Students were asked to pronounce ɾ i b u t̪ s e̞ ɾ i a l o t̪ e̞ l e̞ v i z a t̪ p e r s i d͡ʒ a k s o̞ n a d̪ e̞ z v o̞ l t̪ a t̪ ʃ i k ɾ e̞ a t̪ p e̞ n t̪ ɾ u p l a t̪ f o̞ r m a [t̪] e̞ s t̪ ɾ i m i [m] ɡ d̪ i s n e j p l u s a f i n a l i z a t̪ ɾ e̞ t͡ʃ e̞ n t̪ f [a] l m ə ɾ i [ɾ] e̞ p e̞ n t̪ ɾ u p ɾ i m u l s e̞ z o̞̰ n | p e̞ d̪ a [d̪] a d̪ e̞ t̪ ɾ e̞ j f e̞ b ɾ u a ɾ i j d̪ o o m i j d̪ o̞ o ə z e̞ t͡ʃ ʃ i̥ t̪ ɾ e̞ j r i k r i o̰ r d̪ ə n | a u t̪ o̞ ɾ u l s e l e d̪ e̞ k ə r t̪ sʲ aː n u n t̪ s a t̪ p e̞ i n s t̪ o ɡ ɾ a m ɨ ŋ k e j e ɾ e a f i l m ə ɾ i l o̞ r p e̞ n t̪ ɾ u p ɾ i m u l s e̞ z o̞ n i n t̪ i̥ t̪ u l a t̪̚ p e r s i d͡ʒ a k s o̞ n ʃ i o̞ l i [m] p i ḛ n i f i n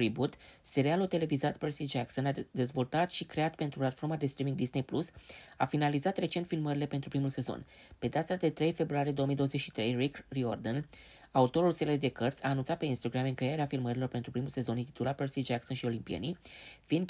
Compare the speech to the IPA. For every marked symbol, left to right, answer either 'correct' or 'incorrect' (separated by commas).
incorrect, incorrect, incorrect, incorrect, incorrect, correct